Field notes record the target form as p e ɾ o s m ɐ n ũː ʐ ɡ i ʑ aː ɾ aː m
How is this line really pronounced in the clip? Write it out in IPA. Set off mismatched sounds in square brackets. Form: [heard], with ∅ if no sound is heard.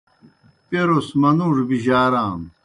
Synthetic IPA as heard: p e ɾ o s m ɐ n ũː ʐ [b] i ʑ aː ɾ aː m